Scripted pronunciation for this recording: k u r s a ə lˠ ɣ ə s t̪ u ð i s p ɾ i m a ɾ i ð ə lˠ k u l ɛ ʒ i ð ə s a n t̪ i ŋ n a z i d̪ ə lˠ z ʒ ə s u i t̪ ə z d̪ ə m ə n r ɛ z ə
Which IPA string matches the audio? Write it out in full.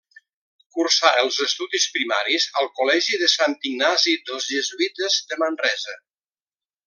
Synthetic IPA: k u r s a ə lˠ z ə s t̪ u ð i s p ɾ i m a ɾ i z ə lˠ k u l ɛ ʒ i ð ə s a n t̪ i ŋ n a z i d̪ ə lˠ z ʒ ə z u i t̪ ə z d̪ ə m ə n r ɛ z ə